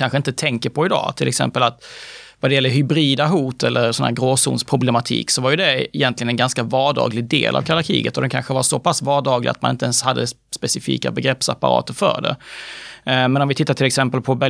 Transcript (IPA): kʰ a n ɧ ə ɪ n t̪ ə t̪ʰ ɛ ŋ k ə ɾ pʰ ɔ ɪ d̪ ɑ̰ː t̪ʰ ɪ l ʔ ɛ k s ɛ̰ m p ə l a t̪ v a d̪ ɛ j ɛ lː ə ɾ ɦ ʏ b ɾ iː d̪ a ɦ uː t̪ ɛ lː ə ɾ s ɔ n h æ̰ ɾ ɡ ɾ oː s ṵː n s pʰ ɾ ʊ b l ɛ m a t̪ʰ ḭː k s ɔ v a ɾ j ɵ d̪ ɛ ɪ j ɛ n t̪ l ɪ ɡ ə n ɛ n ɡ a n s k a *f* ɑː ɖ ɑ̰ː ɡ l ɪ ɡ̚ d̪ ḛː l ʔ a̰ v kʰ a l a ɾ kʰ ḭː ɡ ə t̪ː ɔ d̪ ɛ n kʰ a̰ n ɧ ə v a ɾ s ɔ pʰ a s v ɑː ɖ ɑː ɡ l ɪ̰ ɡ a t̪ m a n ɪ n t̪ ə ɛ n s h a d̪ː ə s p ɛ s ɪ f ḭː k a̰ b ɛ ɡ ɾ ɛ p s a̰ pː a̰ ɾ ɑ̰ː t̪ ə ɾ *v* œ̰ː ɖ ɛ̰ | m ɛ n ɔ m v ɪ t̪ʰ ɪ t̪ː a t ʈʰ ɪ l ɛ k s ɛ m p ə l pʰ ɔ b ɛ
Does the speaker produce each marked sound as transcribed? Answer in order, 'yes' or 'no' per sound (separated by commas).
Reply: no, no